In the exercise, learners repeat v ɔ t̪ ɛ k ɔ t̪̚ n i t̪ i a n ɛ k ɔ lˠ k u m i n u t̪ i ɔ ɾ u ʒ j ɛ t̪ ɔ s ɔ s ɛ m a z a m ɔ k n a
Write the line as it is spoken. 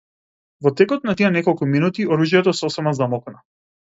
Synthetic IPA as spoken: v ɔ t̪ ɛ k ɔ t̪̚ n a t̪ i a n ɛ k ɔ lˠ k u m i n u t̪ i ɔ ɾ u ʒ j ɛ t̪ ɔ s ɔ s ɛ m a z a m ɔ k n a